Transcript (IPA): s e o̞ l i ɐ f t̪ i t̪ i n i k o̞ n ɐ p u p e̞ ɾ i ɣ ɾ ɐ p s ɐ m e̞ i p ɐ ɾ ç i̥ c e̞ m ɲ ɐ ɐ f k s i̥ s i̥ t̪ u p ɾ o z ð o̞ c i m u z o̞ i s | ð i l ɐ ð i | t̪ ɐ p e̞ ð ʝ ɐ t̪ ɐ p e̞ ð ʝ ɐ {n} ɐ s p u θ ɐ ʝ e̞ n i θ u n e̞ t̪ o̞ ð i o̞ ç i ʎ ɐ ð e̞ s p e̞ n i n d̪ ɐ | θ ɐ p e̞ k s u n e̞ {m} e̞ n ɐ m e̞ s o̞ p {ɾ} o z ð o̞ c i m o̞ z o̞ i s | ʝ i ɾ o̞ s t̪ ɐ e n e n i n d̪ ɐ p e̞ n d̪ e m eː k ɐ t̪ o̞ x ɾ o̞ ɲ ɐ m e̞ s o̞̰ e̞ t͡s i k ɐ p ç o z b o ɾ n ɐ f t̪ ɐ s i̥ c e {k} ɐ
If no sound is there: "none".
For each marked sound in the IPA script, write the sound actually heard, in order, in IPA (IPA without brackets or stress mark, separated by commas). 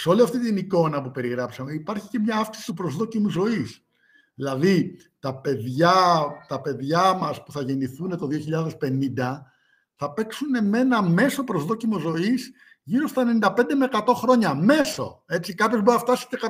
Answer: m, m, ɾ, k